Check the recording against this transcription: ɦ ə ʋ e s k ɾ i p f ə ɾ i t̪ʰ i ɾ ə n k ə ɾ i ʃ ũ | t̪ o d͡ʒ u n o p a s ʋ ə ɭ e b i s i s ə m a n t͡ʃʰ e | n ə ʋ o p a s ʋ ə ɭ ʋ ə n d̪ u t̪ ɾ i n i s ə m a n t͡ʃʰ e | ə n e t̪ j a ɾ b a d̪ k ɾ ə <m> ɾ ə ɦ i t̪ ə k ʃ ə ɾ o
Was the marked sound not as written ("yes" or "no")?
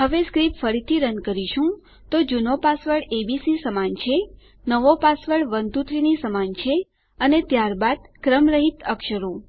no